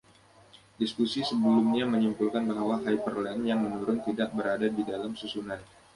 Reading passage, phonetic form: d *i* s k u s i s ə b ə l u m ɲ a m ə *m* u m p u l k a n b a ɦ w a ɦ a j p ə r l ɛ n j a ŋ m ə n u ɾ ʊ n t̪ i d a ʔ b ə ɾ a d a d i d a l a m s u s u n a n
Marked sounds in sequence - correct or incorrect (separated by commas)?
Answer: correct, incorrect